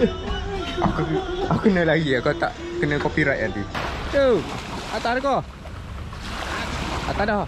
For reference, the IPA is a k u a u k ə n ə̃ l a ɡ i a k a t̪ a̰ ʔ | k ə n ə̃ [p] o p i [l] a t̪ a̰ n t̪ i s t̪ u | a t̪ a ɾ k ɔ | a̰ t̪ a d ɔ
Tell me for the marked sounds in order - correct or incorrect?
incorrect: k, incorrect: ɾ

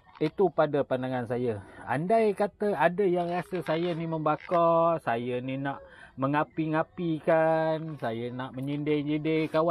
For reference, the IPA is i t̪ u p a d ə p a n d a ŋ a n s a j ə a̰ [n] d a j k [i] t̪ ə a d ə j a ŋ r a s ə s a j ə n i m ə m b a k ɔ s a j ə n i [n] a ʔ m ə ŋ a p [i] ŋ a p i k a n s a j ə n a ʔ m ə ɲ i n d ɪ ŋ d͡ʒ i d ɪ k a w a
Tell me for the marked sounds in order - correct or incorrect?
correct, incorrect: a, correct, correct

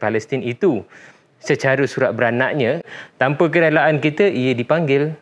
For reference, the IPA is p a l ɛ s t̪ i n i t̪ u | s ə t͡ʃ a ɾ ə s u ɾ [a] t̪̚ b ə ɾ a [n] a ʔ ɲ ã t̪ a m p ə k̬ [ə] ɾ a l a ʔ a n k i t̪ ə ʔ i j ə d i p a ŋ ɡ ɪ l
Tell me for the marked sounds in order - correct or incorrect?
correct, correct, correct

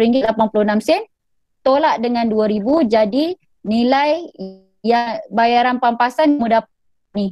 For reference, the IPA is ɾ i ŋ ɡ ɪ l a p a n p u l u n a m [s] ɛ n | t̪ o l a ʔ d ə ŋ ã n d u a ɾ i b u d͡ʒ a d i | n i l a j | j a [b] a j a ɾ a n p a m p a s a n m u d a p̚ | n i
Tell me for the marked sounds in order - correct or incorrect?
correct, correct

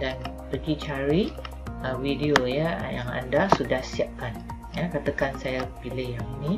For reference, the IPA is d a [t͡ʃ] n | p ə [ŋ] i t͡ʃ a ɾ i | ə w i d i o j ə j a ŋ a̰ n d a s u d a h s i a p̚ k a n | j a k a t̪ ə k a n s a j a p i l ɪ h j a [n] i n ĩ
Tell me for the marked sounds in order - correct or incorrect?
incorrect: none, incorrect: ɡ, incorrect: ŋ

